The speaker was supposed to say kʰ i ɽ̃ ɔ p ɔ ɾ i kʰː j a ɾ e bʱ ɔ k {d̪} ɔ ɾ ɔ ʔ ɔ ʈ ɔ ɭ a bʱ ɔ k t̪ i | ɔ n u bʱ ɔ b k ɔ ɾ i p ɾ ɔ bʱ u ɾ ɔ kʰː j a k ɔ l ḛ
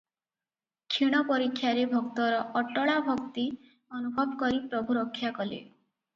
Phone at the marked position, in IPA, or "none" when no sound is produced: t̪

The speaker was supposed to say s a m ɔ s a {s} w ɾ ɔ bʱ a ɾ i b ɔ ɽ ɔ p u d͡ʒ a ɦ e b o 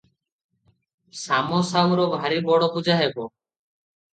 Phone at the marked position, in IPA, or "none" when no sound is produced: none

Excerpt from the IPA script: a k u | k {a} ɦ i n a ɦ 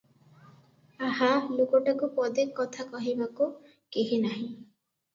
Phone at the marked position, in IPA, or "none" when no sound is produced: e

